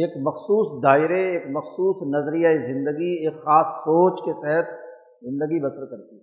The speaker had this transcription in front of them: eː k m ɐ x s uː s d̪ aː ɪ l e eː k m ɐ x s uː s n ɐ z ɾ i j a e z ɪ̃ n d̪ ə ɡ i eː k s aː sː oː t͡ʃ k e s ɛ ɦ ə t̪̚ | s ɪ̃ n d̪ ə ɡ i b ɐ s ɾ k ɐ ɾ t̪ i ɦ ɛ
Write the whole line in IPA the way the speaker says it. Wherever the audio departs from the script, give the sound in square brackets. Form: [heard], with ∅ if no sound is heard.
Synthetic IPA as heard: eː k m ɐ x s uː s d̪ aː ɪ [ɾ] e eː k m ɐ x s uː s n ɐ z ɾ i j a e z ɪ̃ n d̪ ə ɡ i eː k [x] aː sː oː t͡ʃ k e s ɛ ɦ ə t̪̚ | [z] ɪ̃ n d̪ ə ɡ i b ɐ s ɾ k ɐ ɾ t̪ i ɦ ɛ